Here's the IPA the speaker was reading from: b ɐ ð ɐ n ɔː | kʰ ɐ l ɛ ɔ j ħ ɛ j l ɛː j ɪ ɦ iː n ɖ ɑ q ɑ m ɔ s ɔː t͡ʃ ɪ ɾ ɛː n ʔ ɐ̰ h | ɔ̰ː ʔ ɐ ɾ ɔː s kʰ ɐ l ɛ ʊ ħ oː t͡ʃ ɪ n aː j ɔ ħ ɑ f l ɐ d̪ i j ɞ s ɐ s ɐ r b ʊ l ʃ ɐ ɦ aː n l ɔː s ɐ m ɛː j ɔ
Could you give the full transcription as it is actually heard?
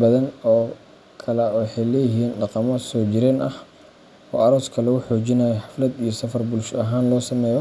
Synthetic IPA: b ɐ ð ɐ n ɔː | kʰ ɐ l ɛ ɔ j ħ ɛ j l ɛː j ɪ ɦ iː n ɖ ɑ q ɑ m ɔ s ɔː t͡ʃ ɪ ɾ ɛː n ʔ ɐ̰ h | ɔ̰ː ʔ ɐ ɾ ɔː s kʰ ɐ l ɛ ʊ ħ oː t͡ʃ ɪ n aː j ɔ ħ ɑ f l ɐ d̪ i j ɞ s ɐ f ɐ r b ʊ l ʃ ɐ ɦ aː n l ɔː s ɐ m ɛː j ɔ

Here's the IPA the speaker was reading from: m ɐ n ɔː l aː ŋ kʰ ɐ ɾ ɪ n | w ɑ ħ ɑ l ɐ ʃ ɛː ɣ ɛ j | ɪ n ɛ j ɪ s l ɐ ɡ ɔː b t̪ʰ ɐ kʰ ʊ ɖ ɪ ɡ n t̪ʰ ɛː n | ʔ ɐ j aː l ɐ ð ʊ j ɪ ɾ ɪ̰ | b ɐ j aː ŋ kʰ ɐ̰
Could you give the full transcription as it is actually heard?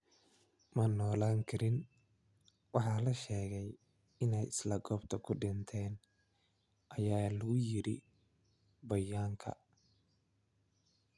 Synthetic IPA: m ɐ n ɔː l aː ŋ kʰ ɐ ɾ ɪ n | w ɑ ħ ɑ l ɐ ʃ ɛː ɣ ɛ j | ɪ n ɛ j ɪ s l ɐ ɡ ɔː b t̪ʰ ɐ kʰ ʊ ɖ ɪ n t̪ʰ ɛː n | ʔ ɐ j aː l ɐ ɣ ʊ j ɪ ɾ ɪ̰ | b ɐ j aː ŋ kʰ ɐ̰

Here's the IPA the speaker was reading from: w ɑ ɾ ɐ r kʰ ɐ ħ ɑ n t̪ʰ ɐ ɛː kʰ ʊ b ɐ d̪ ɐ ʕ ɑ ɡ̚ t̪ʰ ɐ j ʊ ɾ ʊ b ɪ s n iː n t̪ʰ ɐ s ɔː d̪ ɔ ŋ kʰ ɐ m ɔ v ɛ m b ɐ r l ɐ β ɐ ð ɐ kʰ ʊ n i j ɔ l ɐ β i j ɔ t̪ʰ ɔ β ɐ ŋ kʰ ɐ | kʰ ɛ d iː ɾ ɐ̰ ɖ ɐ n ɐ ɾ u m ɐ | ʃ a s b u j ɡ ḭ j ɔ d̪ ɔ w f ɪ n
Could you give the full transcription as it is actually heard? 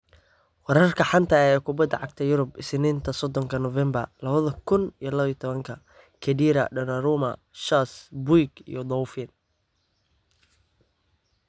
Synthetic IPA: w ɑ ɾ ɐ r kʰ ɐ ħ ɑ n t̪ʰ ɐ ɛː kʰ ʊ b ɐ d̪ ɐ ʕ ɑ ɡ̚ t̪ʰ ɐ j ʊ ɾ ʊ b ɪ s n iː n t̪ʰ ɐ s ɔ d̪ ɔ ŋ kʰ ɐ n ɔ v ɛ m b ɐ r l ɐ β ɐ ð ɐ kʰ ʊ n i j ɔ l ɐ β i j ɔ t̪ʰ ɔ β ɐ ŋ kʰ ɐ | kʰ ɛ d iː ɾ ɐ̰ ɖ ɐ n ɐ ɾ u m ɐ | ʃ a s b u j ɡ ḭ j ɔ d̪ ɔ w f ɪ n

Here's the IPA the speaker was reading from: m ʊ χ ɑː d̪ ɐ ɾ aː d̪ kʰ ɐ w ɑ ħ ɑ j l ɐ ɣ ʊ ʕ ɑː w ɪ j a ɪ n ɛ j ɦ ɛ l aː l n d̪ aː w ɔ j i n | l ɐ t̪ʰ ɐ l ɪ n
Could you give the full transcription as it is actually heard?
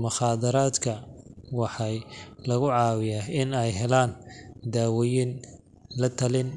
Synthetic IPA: m ʊ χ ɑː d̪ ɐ ɾ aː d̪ kʰ ɐ w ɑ ħ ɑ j l ɐ ɣ ʊ ʕ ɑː w ɪ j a ɪ n ɛ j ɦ ɛ l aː n d̪ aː w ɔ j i n | l ɐ t̪ʰ ɐ l ɪ n

